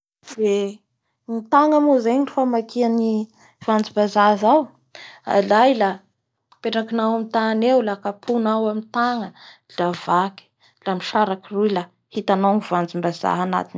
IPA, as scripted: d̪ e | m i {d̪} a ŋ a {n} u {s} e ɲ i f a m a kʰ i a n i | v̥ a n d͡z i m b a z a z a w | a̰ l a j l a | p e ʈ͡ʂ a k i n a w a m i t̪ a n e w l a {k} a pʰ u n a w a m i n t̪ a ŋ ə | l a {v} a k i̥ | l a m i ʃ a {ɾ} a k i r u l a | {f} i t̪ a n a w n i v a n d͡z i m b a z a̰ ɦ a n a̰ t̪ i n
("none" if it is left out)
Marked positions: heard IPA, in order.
t̪, m, z, k, v, ɾ, h

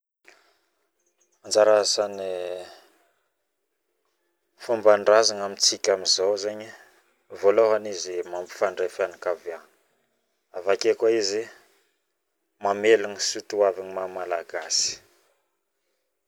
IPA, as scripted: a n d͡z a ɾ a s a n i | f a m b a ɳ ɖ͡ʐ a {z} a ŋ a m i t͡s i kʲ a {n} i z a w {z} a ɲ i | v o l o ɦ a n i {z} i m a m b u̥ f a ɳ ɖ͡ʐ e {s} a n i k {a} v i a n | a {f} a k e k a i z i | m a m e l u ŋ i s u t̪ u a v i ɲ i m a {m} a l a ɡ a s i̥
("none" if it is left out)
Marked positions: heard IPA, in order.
z, m, z, z, f, a, v, m

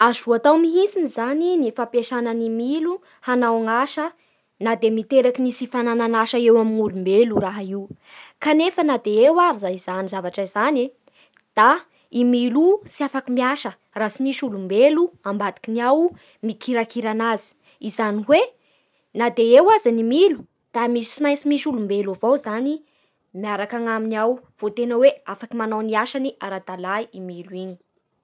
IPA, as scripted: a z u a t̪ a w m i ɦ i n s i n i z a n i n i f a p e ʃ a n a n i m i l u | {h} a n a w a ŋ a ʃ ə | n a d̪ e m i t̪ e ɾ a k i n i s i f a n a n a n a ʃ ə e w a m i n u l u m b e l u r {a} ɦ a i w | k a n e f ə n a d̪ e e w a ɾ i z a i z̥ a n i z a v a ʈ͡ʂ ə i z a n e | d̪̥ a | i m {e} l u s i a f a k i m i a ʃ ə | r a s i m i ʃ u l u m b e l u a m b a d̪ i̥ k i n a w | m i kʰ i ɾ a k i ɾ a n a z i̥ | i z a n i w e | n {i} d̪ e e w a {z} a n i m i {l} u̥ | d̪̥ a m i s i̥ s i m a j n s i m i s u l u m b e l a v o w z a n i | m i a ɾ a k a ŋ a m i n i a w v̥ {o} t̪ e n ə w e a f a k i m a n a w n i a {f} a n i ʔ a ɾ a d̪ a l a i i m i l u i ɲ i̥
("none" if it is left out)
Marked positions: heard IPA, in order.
h, a, i, a, z, l, o, ʃ

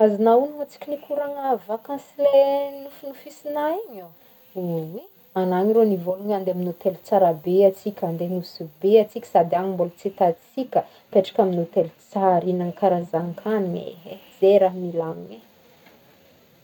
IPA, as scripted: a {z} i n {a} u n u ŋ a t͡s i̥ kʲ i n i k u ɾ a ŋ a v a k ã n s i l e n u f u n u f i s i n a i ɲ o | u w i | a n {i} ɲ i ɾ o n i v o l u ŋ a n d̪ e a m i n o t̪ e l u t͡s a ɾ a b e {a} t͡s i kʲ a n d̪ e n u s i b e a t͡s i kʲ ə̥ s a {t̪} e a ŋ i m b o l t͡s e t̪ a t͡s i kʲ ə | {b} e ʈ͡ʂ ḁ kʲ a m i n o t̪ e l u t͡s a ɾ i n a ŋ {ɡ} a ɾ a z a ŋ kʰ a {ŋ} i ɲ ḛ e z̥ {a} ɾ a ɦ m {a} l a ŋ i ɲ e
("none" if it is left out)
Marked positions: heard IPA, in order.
z, a, a, a, d̪, p, k, n, e, i

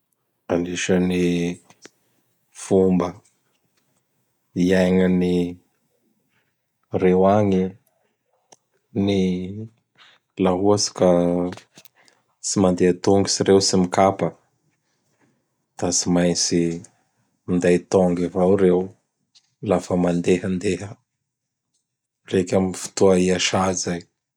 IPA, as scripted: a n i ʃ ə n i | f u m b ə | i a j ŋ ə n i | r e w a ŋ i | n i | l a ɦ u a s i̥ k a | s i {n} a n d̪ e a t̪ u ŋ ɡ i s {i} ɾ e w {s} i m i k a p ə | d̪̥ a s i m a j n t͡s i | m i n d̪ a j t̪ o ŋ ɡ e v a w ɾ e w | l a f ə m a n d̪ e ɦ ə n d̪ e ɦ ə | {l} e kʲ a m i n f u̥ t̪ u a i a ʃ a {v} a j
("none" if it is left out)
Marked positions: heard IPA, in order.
m, i, s, r, z

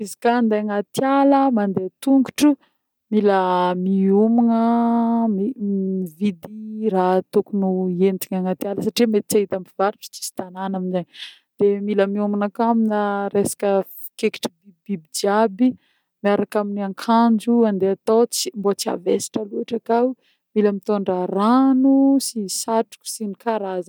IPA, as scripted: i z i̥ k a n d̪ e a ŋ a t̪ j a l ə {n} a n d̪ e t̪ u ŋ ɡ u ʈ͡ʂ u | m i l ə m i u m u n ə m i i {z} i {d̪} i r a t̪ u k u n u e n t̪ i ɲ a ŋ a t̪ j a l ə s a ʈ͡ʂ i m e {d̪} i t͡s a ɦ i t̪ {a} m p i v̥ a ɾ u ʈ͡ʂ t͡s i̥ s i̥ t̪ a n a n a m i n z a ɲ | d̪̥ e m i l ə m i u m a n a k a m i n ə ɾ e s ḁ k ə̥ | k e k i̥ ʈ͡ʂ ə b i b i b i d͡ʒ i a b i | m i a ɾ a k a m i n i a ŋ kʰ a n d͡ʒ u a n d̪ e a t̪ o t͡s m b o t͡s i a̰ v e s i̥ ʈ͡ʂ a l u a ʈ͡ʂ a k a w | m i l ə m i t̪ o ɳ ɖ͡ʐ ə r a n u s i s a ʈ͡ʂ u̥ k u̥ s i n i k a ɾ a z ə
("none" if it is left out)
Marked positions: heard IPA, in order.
m, v, d̪, t̪, a

